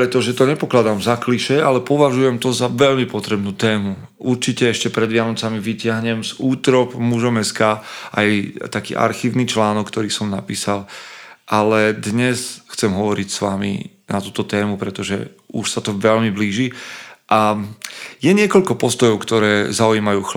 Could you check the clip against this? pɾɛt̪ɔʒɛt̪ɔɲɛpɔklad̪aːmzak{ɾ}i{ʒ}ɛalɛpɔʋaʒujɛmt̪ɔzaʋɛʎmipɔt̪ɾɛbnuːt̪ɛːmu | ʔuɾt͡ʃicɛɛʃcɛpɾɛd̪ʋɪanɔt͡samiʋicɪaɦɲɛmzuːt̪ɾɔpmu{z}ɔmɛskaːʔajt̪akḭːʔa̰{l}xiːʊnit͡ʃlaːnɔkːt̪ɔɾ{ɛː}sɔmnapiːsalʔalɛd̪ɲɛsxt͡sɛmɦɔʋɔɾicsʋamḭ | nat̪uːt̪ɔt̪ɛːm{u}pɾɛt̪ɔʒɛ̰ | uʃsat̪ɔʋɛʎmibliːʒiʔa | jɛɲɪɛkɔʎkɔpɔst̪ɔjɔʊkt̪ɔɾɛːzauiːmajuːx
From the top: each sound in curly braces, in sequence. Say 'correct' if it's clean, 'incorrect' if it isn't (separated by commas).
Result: incorrect, incorrect, incorrect, incorrect, incorrect, correct